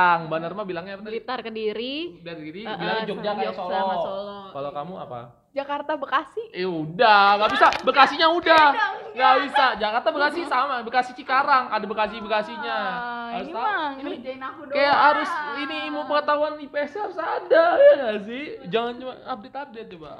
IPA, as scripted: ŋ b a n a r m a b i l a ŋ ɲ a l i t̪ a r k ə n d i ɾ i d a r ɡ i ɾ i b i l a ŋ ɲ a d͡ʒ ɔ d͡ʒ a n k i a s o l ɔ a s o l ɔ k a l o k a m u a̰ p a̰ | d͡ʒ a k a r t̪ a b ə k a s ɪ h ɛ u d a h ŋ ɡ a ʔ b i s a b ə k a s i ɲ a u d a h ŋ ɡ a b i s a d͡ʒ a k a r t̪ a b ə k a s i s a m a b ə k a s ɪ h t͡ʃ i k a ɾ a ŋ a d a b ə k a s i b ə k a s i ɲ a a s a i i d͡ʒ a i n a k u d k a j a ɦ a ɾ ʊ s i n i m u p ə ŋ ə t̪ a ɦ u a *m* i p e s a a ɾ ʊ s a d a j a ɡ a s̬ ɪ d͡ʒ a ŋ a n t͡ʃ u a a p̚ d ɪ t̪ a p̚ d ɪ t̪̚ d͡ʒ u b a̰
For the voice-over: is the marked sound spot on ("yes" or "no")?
no